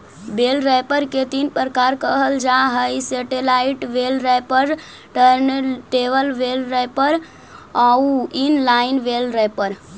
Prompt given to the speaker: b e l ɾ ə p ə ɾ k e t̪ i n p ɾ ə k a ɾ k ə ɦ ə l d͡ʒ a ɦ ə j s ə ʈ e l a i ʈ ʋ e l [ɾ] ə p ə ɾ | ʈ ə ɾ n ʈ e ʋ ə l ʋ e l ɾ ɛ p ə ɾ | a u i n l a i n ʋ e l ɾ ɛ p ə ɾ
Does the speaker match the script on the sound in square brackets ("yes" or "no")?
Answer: yes